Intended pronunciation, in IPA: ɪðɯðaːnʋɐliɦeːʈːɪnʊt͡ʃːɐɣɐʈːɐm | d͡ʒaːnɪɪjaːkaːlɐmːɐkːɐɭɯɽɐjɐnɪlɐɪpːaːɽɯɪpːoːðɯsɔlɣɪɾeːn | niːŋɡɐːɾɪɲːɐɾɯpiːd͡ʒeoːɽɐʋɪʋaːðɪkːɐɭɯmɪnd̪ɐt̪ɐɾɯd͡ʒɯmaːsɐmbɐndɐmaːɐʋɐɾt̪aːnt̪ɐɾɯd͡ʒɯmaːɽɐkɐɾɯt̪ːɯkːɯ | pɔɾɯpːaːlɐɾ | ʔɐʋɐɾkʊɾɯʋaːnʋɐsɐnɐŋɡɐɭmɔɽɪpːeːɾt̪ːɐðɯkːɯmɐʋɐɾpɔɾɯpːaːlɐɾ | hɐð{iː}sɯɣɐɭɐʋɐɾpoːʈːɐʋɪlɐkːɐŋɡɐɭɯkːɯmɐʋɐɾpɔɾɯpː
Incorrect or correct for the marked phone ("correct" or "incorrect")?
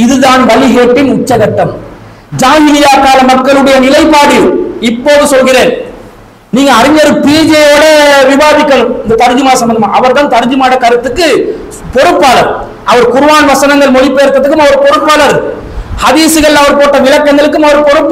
correct